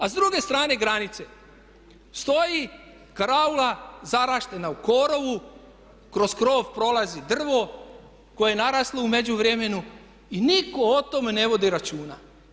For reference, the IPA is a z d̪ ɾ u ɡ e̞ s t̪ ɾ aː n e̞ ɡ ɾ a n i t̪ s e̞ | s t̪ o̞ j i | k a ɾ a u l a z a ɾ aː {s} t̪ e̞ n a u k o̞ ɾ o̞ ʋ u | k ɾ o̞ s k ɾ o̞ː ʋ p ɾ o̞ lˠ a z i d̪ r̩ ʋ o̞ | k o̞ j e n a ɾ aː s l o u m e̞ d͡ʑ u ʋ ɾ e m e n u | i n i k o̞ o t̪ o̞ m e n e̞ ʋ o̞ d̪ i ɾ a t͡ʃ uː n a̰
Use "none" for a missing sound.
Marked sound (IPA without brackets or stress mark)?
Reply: ʃ